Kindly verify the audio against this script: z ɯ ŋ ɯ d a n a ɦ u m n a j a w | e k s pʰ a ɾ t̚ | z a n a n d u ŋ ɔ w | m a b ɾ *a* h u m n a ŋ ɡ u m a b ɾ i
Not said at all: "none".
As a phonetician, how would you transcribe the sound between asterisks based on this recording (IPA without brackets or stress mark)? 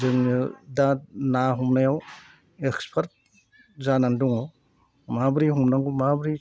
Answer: i